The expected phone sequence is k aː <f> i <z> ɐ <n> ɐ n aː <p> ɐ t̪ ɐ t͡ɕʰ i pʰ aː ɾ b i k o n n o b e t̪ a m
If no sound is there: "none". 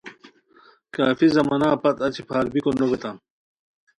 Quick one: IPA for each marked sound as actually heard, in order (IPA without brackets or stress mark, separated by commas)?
f, z, m, p